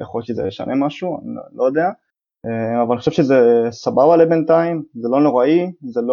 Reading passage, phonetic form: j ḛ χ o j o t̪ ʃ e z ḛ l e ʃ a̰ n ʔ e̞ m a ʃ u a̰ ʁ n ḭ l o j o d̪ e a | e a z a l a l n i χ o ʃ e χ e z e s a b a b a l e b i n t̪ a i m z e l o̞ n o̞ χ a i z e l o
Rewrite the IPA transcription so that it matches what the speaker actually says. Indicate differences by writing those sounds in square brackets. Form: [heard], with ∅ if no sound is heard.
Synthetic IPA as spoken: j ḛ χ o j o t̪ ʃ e z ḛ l e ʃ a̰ n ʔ e̞ m a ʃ u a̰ [∅] n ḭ l o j o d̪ e a | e a [v] a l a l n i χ o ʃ e [ʃ] e z e s a b a b a l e b [e] n t̪ a i m z e l o̞ n o̞ [ʁ] a i z e l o